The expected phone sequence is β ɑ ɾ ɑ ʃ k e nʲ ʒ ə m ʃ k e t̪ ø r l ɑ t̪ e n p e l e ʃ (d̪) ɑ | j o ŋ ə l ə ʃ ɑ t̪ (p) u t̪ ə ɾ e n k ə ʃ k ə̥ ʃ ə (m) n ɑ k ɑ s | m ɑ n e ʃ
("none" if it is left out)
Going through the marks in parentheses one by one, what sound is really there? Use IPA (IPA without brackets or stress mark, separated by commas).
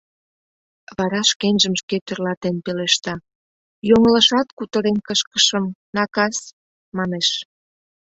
t̪, k, m